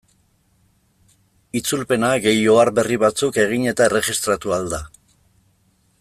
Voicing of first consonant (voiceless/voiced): voiceless